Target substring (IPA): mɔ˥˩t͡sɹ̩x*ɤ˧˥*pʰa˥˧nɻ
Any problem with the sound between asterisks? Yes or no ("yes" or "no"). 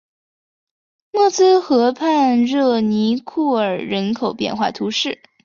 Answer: no